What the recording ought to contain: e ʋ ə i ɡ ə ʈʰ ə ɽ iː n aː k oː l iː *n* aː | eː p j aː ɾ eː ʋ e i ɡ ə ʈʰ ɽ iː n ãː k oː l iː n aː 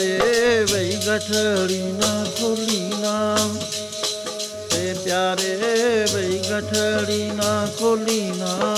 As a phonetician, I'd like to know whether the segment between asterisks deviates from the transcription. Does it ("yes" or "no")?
no